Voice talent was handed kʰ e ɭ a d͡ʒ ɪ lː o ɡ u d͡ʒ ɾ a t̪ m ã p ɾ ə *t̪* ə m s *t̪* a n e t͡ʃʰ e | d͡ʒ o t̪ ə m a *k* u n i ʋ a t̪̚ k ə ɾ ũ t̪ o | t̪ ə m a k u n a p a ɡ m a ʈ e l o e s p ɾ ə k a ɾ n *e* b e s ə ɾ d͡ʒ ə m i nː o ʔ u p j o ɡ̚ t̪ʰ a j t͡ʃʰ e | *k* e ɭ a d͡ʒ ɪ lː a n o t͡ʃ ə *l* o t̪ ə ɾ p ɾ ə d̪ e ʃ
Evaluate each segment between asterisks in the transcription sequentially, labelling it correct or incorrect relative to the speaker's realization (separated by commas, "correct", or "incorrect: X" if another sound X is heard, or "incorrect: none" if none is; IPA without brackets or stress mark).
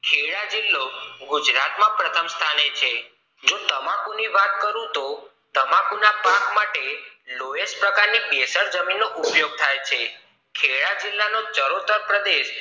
incorrect: t̪ʰ, incorrect: t̪ʰ, correct, incorrect: i, incorrect: kʰ, incorrect: ɾ